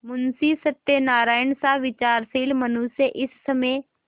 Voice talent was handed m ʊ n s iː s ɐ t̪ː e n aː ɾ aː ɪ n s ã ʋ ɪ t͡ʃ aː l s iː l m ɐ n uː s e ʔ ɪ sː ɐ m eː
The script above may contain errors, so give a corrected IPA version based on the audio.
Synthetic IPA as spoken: m ʊ n s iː s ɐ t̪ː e n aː ɾ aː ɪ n s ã ʋ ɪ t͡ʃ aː ɾ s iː l m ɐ n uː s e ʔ ɪ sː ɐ m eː